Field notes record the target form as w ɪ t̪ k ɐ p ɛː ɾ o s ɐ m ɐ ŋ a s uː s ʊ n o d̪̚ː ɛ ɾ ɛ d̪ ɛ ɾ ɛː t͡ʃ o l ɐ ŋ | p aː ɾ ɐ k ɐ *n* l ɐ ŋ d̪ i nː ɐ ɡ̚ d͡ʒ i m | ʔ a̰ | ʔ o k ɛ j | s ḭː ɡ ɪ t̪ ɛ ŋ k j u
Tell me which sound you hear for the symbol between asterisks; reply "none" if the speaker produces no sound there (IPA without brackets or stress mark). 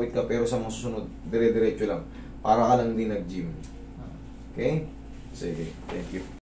none